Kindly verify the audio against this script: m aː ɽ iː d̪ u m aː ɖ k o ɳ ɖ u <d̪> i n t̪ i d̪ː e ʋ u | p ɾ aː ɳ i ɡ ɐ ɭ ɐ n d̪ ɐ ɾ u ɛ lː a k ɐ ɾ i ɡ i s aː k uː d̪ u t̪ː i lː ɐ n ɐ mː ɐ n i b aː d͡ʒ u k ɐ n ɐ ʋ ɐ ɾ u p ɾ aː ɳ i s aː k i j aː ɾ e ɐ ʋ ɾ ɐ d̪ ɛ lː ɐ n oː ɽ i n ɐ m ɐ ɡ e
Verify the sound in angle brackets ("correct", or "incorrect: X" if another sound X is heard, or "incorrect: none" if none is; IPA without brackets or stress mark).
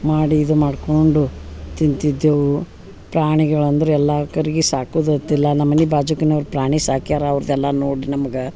incorrect: t̪